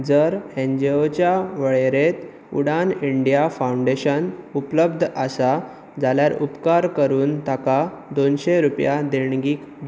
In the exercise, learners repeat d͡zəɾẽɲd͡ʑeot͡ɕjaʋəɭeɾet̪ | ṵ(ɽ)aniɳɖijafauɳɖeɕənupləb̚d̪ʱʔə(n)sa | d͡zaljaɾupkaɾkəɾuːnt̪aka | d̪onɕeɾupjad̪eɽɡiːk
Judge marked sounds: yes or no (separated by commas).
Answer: yes, no